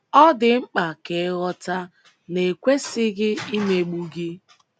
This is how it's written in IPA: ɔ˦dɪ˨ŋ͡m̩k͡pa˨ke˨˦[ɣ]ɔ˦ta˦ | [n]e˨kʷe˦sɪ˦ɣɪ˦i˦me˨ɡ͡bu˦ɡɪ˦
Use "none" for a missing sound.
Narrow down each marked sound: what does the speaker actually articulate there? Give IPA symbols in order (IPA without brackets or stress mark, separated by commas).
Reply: ɣ, n